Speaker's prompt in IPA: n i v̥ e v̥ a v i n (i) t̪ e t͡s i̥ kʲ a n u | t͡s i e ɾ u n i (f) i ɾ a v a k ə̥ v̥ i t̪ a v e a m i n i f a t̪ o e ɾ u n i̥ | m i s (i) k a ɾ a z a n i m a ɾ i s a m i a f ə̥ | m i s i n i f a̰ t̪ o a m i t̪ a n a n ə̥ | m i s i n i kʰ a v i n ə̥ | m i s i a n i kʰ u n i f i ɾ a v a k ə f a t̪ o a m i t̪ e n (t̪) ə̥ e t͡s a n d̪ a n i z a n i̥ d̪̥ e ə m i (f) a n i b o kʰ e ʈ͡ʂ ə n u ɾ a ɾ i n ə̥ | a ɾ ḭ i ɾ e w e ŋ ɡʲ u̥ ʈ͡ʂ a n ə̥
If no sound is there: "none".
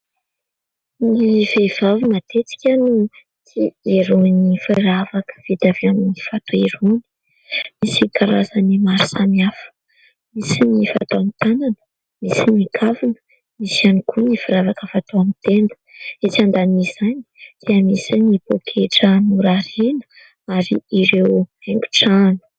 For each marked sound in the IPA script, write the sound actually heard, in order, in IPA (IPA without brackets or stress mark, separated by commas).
a, f, i, d̪, s